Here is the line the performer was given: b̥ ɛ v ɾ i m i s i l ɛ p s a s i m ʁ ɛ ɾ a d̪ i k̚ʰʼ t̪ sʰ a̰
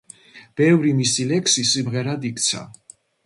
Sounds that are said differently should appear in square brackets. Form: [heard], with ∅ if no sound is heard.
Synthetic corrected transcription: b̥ ɛ v ɾ i m i s i l ɛ [k] s [i] s i m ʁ ɛ ɾ a d̪ i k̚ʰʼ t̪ sʰ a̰